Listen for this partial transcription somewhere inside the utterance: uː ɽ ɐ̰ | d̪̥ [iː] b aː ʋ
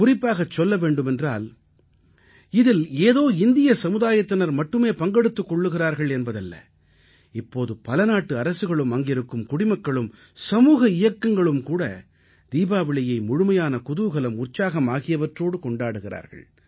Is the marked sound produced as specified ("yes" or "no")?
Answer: yes